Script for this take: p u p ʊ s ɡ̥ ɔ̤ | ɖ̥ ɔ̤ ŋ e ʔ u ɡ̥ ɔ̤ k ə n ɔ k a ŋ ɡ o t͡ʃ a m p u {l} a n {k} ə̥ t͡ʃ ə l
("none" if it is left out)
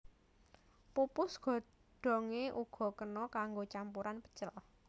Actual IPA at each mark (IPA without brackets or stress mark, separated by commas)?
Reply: ɾ, p